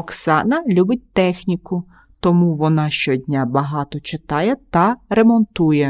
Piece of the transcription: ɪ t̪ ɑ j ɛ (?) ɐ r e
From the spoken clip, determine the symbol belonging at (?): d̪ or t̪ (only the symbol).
t̪